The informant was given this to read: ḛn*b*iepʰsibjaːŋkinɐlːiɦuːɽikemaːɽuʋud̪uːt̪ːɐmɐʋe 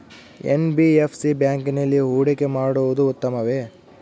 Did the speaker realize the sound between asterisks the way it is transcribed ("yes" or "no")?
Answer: yes